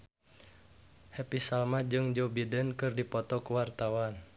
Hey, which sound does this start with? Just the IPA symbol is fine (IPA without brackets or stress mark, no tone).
h